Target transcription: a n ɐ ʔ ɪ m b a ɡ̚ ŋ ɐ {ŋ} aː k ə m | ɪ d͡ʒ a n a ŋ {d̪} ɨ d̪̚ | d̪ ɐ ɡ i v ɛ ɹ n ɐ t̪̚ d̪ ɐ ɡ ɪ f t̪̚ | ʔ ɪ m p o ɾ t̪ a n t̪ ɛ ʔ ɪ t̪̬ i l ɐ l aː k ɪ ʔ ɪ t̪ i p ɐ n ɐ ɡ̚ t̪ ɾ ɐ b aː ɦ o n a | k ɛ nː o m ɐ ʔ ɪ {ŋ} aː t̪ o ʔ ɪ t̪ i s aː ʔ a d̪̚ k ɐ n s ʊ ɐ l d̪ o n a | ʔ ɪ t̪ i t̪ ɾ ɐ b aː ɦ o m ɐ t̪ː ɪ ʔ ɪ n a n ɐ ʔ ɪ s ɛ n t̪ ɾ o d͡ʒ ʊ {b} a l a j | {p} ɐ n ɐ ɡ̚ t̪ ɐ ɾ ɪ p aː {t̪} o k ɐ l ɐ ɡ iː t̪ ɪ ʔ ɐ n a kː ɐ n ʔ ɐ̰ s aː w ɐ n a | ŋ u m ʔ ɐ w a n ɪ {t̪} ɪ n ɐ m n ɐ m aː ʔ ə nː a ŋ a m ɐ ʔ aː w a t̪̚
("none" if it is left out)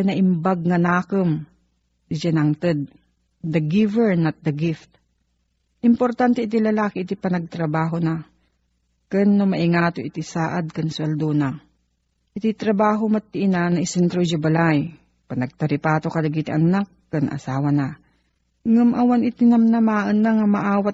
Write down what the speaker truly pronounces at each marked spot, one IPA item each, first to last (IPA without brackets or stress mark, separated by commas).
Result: n, t̪, ŋ, b, p, t̪, t̪